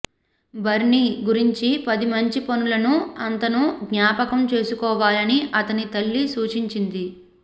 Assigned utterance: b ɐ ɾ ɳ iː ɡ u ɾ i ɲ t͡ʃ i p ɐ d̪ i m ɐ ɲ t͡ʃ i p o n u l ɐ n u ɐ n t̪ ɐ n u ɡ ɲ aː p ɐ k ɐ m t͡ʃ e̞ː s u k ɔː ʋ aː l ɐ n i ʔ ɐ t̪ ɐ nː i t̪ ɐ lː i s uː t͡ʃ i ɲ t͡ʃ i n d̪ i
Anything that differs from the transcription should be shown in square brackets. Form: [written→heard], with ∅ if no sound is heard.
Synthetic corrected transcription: b ɐ ɾ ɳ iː ɡ u ɾ i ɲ t͡ʃ i p ɐ d̪ i m ɐ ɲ t͡ʃ i p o n u l ɐ n u ɐ n t̪ ɐ n u ɡ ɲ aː p ɐ k ɐ m t͡ʃ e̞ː s u k ɔː ʋ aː l ɐ n i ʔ ɐ t̪ ɐ [nː→n] i t̪ ɐ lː i s uː t͡ʃ i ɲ t͡ʃ i n d̪ i